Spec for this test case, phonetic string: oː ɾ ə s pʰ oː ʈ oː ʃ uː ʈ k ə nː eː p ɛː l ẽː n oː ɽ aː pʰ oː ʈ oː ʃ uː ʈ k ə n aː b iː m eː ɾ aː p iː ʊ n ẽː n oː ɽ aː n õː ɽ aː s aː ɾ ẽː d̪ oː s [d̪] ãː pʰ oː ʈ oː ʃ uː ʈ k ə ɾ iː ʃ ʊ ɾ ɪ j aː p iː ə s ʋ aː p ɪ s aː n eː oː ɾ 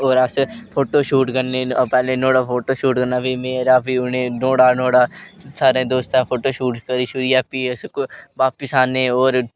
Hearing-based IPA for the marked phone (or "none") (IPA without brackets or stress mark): t̪